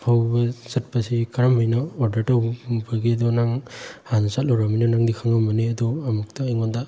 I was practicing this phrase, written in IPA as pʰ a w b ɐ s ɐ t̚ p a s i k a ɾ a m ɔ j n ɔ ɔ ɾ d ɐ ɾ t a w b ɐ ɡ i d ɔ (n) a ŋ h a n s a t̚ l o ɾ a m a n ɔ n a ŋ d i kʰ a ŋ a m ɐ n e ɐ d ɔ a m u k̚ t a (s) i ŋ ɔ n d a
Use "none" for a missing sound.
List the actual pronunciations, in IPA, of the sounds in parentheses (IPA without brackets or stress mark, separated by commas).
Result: n, none